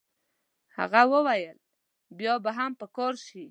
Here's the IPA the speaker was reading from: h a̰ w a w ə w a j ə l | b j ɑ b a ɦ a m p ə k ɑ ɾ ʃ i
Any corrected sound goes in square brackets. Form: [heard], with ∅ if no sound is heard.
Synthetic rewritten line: h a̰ [ɣ] a w ə w a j ə l | b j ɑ b a ɦ a m p ə k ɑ ɾ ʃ i